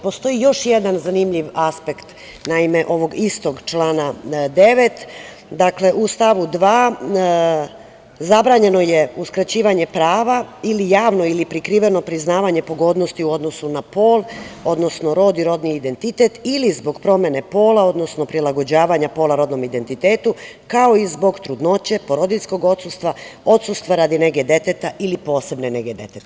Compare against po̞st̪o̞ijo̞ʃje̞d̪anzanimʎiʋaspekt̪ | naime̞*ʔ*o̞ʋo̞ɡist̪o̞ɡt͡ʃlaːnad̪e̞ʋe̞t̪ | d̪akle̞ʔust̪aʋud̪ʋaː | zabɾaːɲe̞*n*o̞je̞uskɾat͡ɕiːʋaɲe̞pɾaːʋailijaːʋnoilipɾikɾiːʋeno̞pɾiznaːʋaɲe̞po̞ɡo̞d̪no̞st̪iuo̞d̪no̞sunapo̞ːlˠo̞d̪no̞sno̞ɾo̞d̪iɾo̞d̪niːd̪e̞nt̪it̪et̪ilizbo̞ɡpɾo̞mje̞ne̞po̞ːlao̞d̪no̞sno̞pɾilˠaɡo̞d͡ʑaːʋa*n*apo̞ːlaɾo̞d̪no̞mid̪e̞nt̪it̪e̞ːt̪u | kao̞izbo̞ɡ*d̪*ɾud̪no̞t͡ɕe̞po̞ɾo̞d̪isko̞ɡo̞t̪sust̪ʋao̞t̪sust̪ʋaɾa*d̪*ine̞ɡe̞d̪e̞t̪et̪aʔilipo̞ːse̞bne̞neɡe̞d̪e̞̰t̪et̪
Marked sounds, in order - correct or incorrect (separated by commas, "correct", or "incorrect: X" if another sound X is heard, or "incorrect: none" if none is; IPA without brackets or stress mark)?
correct, correct, incorrect: ɲ, incorrect: t̪, correct